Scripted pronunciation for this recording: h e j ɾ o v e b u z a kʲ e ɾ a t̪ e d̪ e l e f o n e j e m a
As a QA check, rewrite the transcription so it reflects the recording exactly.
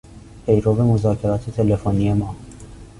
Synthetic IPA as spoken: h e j ɾ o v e m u z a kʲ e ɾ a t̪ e t̪ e l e f o n i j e m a